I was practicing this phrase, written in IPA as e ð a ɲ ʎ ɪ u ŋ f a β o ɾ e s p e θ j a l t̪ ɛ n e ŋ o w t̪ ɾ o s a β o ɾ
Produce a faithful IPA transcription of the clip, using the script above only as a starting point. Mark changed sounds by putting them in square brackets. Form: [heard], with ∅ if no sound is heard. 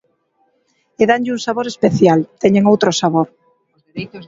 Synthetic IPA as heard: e ð a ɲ ʎ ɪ u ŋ [s] a β o ɾ e s p e θ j a l t̪ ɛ [ɲ] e ŋ o w t̪ ɾ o s a β o ɾ